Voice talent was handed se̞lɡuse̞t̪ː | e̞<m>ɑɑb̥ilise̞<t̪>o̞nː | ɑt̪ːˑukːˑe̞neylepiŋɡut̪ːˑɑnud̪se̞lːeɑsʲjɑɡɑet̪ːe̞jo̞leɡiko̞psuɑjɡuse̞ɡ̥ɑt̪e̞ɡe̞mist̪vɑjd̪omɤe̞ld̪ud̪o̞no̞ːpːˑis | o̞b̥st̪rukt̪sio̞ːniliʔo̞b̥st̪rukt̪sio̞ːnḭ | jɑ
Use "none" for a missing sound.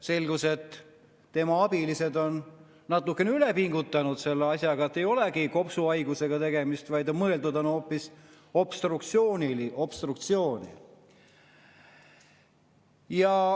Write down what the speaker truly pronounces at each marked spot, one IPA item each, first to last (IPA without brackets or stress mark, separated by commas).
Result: m, d̪